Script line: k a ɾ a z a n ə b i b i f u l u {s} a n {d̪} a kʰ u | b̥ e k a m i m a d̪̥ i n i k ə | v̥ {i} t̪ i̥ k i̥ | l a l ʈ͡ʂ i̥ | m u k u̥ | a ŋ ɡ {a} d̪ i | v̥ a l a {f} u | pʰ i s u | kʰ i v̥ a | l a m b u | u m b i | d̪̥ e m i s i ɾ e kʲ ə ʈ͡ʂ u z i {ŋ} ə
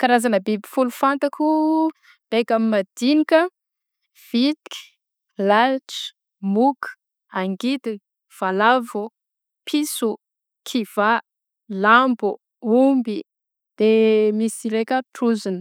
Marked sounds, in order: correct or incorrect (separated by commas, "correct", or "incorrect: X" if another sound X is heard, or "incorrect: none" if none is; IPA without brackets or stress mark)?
incorrect: f, incorrect: t̪, correct, incorrect: i, incorrect: v, incorrect: n